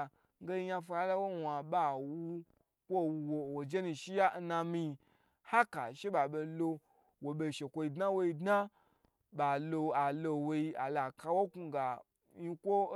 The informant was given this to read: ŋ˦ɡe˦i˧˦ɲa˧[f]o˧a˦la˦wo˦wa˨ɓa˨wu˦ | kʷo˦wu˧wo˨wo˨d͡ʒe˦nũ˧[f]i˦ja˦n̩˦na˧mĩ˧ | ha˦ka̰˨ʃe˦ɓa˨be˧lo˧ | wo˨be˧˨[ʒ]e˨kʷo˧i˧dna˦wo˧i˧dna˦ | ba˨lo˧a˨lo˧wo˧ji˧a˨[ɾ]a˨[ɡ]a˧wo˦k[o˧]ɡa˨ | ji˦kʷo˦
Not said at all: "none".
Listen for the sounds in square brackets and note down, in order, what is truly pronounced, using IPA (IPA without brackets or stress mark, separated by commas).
f, ʃ, ʃ, l, k, u˧